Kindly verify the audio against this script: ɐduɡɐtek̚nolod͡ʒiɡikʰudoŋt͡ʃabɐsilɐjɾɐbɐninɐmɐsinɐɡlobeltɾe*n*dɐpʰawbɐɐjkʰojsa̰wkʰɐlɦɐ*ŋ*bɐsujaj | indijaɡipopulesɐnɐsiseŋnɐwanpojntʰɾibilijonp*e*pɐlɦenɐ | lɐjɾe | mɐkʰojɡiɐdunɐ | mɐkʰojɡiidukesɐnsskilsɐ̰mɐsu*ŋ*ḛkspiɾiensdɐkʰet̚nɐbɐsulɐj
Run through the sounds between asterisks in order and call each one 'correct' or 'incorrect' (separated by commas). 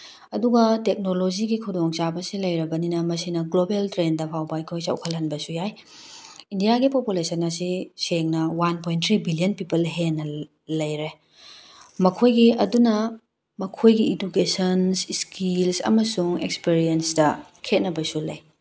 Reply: correct, incorrect, incorrect, correct